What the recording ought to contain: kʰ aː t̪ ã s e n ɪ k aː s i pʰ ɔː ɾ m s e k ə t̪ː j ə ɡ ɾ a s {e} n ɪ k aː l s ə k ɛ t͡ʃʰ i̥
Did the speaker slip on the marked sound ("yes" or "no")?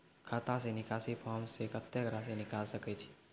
no